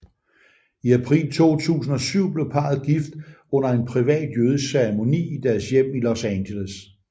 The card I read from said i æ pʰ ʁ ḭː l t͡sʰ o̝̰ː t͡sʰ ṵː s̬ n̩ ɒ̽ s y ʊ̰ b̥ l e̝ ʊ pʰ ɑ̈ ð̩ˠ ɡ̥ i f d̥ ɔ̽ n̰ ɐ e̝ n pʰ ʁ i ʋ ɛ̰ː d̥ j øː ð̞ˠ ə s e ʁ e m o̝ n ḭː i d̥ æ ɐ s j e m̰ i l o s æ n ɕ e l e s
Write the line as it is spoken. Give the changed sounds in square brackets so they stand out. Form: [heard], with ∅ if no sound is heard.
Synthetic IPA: i æ pʰ ʁ ḭː l t͡sʰ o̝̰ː t͡sʰ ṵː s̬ n̩ ɒ̽ s y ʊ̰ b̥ l e̝ ʊ pʰ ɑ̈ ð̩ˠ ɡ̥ i f d̥ ɔ̽ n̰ ɐ e̝ n pʰ ʁ i ʋ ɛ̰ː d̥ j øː ð̞ˠ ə s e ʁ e m o̝ n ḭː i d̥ æ ɐ s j e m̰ i l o s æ n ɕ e l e s